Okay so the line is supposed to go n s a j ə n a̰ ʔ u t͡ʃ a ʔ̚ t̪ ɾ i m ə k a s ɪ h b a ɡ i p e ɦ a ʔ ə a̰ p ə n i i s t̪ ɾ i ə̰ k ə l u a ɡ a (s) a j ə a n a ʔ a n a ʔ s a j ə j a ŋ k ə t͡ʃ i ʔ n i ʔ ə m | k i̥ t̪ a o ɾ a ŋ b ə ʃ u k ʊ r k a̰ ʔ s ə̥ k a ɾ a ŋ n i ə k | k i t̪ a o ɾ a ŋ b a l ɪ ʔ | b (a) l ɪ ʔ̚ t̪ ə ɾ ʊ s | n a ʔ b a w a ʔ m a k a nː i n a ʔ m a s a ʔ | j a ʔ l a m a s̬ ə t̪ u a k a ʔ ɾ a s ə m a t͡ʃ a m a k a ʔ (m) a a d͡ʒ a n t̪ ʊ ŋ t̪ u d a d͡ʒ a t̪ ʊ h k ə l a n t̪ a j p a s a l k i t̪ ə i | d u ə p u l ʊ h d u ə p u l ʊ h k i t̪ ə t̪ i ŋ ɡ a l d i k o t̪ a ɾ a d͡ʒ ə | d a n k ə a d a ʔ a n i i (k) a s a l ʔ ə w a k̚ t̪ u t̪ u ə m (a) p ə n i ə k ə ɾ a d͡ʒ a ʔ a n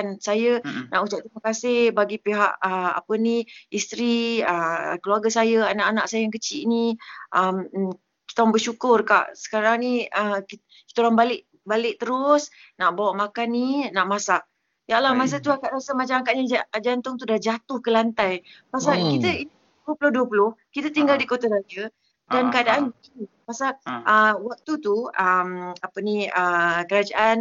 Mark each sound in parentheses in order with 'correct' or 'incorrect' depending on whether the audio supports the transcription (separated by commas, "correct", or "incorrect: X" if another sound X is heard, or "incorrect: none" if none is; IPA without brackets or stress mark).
correct, correct, incorrect: ɲ, incorrect: p, correct